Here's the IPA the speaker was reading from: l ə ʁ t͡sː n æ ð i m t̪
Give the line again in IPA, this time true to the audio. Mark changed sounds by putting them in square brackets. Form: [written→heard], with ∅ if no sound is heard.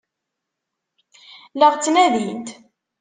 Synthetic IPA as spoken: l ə ʁ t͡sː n æ ð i [m→n] t̪